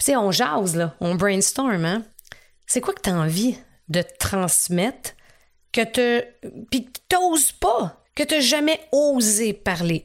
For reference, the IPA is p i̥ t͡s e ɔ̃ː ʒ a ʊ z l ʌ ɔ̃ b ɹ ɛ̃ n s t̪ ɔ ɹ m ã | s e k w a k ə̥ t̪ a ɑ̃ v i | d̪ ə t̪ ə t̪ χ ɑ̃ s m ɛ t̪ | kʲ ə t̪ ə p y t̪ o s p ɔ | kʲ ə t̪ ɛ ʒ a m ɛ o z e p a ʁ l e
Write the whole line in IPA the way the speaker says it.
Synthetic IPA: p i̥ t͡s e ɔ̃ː ʒ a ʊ z l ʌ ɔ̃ b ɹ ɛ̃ n s t̪ ɔ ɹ m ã | s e k w a k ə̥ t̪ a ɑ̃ v i | d̪ ə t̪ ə t̪ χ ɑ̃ s m ɛ t̪ | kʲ ə t̪ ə p i t̪ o z p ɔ | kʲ ə t̪ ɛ ʒ a m ɛ o z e p a ʁ l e